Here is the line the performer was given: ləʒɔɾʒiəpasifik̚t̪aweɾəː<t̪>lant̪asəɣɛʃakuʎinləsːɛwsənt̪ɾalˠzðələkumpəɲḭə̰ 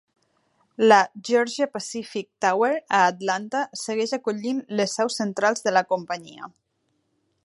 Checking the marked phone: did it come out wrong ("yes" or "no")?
no